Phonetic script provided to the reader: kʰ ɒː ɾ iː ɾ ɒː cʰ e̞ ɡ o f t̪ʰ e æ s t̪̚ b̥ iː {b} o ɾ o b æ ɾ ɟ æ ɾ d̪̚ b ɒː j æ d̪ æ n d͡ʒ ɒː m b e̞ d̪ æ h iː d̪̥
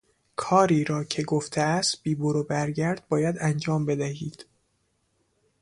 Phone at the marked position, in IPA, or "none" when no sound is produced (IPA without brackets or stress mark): b